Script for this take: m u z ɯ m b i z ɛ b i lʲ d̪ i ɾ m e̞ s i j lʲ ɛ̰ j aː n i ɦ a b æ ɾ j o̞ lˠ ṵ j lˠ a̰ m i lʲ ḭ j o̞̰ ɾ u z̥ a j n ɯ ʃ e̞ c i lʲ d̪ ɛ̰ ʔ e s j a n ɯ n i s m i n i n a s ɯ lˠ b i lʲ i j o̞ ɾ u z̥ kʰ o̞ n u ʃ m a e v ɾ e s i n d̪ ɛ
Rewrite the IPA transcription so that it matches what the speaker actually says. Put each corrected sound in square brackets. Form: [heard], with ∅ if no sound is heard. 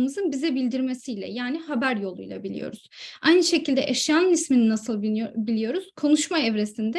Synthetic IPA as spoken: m [ɯ] z ɯ [n] b i z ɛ b i lʲ d̪ i ɾ m e̞ s i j lʲ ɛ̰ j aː n i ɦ a b æ ɾ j o̞ lˠ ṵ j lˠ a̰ [b] i lʲ ḭ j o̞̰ ɾ u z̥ a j n ɯ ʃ e̞ c i lʲ d̪ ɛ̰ ʔ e [ʃ] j a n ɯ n i s m i n i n a s ɯ lˠ b i lʲ i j o̞ ɾ u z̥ kʰ o̞ n u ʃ m a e v ɾ e s i n d̪ ɛ